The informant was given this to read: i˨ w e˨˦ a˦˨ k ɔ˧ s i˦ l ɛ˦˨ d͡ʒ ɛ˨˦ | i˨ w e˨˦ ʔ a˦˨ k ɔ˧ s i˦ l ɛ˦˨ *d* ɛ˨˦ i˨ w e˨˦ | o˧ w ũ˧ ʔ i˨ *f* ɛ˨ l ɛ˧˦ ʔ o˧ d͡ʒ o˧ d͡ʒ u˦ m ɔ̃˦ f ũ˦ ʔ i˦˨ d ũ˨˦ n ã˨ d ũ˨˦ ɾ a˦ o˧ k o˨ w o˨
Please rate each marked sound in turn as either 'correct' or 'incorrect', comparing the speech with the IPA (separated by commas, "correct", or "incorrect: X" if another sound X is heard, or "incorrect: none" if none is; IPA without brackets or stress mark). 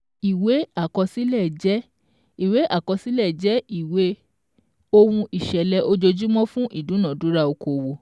incorrect: d͡ʒ, incorrect: ʃ